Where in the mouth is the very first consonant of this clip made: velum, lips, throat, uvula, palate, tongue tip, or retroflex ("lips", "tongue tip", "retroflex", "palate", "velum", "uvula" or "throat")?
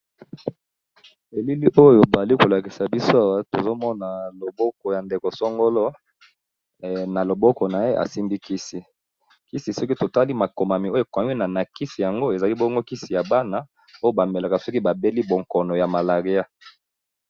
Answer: tongue tip